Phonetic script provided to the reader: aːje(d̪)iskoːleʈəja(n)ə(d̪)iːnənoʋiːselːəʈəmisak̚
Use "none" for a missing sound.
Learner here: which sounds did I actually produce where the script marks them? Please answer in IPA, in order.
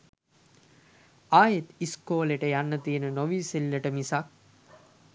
t̪, nː, t̪

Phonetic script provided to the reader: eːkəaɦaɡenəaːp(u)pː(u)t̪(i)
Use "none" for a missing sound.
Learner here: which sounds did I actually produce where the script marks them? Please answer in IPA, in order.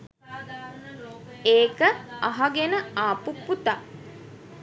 u, u, a

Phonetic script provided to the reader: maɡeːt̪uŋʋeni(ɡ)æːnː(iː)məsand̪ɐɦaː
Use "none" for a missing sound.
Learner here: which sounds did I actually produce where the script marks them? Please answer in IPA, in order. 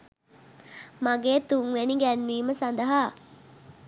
ɡ, iː

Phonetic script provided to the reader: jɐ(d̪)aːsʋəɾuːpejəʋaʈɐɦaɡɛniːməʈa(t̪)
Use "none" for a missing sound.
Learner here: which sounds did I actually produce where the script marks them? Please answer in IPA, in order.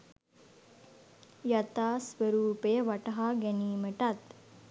t̪, t̪

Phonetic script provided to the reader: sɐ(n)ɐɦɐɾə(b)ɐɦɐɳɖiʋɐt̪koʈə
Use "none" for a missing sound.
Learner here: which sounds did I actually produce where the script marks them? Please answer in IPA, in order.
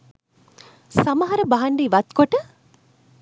m, b

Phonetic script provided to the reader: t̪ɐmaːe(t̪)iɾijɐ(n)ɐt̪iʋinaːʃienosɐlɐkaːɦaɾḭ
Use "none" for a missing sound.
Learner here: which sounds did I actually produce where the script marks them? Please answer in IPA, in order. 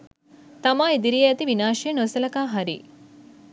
d̪, none

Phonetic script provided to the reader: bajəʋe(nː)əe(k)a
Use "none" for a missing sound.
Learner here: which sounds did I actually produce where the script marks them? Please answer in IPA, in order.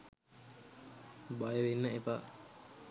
nː, p

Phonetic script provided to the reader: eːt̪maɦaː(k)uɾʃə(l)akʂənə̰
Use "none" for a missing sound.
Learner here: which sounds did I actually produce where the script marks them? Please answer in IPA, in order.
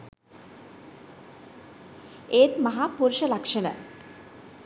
p, l

